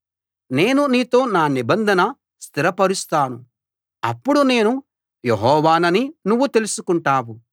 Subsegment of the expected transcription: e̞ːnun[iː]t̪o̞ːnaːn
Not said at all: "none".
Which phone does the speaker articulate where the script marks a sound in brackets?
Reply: iː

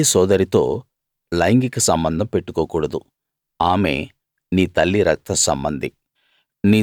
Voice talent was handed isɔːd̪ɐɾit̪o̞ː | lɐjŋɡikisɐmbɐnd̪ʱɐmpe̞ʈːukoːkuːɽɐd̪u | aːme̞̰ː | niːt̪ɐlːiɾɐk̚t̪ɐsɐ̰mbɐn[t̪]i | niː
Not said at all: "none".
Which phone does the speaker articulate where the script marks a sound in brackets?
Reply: d̪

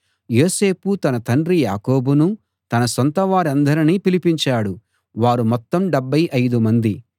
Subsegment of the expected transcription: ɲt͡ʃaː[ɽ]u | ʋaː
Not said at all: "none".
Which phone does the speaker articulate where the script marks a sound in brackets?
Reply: ɽ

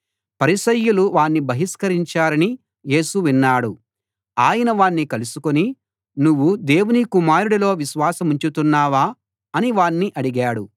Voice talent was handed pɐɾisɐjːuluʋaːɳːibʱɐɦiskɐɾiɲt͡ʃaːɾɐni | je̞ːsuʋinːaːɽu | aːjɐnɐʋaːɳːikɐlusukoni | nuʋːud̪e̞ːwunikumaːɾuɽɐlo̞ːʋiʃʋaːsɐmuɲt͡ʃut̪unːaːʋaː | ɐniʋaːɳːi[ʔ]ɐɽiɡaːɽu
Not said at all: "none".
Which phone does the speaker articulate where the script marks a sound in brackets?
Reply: ʔ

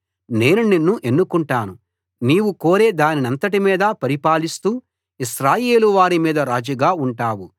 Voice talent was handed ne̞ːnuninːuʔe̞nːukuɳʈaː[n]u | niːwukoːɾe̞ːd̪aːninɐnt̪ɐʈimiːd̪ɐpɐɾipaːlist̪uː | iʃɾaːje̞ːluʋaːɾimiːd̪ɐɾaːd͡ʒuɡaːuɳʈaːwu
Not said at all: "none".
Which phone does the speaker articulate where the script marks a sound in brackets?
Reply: n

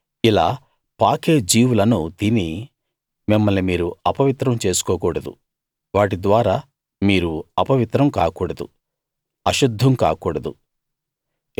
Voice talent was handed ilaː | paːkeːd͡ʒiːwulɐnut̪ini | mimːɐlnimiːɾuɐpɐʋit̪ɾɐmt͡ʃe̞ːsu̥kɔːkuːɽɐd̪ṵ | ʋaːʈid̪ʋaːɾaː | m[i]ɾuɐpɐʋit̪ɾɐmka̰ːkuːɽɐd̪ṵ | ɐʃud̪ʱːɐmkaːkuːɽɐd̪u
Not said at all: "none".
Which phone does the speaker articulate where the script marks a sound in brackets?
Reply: iː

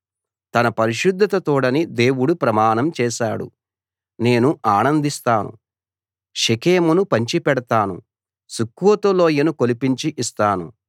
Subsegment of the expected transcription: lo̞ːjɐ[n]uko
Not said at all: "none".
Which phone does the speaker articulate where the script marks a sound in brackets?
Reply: n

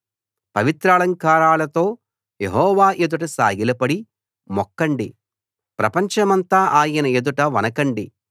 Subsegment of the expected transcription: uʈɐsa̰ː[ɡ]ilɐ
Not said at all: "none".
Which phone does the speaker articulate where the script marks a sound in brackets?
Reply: ɡ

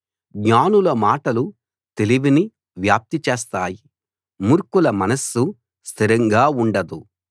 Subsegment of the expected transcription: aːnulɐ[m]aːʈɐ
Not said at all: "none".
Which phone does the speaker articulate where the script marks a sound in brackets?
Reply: m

